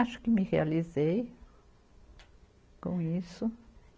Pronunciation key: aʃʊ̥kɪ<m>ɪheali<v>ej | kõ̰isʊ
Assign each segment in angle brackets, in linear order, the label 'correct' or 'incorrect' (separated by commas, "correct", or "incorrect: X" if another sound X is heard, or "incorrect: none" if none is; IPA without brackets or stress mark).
correct, incorrect: z